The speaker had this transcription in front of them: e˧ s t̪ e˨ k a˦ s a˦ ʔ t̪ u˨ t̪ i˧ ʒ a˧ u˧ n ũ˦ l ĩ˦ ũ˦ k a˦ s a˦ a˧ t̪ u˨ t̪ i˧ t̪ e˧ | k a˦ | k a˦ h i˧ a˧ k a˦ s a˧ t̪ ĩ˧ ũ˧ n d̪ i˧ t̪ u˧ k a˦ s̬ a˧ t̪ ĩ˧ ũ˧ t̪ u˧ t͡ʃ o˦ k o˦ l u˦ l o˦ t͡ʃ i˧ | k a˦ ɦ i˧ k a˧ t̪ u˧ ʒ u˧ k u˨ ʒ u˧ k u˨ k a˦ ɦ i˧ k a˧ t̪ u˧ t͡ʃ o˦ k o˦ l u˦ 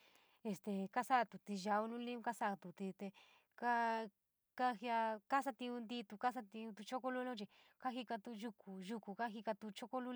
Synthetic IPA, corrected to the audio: e˧ s t̪ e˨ k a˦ s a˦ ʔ t̪ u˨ t̪ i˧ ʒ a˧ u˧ n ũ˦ l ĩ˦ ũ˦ k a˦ s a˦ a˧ t̪ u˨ t̪ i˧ t̪ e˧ | k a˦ | k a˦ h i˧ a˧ k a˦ s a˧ t̪ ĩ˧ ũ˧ n d̪ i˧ t̪ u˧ k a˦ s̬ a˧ t̪ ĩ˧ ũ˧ t̪ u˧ t͡ʃ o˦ k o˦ l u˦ l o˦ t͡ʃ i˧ | k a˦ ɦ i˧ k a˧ t̪ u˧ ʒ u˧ k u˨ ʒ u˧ k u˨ k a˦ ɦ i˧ k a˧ t̪ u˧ t͡ʃ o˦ k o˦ l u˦